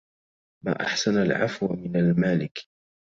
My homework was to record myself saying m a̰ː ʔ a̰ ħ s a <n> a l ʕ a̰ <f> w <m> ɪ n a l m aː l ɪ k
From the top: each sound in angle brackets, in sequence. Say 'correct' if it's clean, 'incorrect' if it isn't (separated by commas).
correct, correct, correct